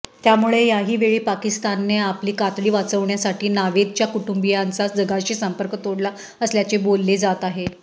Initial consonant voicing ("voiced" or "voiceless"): voiceless